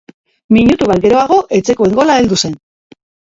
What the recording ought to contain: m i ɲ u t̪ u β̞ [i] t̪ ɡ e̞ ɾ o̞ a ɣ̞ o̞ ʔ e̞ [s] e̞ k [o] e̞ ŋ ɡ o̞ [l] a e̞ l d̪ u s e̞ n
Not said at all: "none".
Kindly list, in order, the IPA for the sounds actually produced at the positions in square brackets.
a, t͡s, o, l

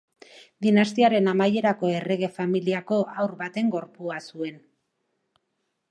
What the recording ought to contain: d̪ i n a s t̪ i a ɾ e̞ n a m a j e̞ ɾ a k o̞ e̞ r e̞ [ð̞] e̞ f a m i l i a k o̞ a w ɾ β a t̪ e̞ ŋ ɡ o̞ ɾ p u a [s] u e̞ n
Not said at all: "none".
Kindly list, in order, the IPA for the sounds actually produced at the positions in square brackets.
ɣ̞, s

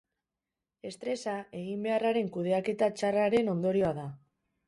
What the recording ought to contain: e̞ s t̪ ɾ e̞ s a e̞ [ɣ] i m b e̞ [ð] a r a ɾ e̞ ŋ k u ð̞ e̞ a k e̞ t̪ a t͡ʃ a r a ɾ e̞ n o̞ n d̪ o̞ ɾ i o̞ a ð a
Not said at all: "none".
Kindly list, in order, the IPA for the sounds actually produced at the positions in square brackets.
ɣ, none

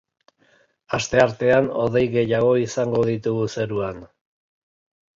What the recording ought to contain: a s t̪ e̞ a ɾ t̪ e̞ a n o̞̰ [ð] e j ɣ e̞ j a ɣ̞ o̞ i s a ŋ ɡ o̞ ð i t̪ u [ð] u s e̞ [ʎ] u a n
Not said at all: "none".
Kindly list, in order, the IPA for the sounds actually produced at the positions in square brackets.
ð, ɣ, ɾ

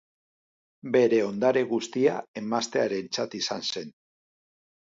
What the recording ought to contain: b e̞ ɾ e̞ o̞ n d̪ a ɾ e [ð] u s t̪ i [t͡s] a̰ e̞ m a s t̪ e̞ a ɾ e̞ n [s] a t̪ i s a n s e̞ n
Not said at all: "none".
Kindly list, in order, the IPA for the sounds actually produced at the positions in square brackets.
ɣ, none, t͡s

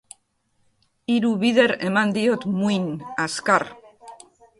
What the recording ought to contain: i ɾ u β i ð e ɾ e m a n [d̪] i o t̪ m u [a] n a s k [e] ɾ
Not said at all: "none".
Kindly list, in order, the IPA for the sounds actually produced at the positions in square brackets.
d̪, i, a

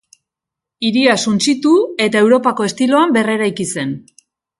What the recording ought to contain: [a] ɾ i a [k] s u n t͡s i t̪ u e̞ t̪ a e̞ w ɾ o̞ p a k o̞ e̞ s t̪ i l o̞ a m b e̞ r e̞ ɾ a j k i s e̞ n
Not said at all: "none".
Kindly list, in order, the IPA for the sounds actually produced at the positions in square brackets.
i, none

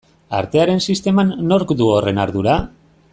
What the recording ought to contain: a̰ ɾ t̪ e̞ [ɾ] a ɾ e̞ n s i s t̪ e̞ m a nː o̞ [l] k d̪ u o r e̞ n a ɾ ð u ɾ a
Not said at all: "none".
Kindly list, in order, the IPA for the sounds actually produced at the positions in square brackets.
none, ɾ

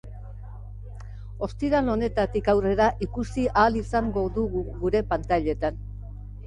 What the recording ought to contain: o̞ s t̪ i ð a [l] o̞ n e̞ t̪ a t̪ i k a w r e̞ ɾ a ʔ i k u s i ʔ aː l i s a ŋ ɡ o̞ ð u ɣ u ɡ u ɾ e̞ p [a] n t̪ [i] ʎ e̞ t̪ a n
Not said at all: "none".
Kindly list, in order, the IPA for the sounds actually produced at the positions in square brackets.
l, a, a

